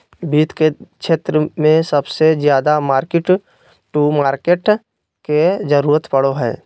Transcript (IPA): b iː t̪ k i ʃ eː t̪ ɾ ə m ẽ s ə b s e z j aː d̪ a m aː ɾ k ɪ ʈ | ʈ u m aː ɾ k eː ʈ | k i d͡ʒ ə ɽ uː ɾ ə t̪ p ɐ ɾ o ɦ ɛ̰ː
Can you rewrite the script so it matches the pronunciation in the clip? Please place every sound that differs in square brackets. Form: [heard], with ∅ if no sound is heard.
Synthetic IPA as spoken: b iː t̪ k [e] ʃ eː t̪ ɾ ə m ẽ s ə b s e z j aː d̪ a m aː ɾ k ɪ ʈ | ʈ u m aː ɾ k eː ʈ | k [e] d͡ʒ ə [ɾ] uː ɾ ə t̪ p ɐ [ɽ] o ɦ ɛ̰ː